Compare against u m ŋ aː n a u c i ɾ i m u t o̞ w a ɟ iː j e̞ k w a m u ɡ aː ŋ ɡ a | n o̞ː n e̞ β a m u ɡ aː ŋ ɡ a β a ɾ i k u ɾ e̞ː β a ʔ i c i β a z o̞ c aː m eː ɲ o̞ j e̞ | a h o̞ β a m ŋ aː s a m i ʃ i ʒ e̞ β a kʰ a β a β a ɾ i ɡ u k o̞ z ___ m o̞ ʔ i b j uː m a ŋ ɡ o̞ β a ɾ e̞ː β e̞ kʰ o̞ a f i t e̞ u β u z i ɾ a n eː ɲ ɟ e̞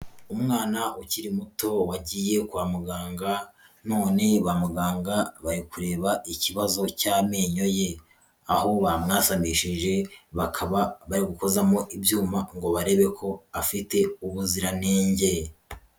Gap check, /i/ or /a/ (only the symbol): a